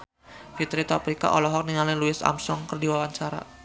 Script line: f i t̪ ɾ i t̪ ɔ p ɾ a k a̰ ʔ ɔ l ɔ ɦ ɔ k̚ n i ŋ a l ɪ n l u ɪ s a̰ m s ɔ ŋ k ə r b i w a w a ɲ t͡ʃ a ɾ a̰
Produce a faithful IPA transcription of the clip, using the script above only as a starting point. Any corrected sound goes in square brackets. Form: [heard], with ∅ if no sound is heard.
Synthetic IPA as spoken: f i t̪ ɾ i t̪ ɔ p ɾ [i] k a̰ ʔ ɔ l ɔ ɦ ɔ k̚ n i ŋ a l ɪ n l u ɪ s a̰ m s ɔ ŋ k ə r [d] i w a w a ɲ t͡ʃ a ɾ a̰